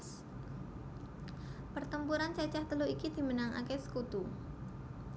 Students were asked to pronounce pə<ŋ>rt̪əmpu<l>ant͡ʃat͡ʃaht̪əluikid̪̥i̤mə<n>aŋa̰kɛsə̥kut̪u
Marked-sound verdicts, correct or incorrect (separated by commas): incorrect, incorrect, correct